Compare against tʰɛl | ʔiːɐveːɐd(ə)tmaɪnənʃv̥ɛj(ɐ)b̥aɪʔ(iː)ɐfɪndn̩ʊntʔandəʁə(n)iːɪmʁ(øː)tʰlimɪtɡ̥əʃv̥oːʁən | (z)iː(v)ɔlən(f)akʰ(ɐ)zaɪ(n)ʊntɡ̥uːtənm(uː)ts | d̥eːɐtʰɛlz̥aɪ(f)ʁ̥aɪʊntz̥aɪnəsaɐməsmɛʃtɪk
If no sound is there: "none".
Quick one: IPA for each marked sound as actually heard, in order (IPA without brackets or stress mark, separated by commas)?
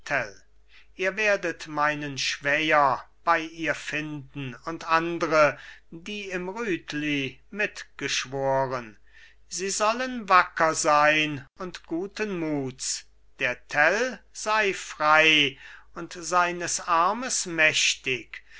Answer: ə, ɐ, iː, d, yː, z, z, v, ɐ, n, uː, f